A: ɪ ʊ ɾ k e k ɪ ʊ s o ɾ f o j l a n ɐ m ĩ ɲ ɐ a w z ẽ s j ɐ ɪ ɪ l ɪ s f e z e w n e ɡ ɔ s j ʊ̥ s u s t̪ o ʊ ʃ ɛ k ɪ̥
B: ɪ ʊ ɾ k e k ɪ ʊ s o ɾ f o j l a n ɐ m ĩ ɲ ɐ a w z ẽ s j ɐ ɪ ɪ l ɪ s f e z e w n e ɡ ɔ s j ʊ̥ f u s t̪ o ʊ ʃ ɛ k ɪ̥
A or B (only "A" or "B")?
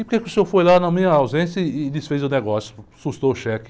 A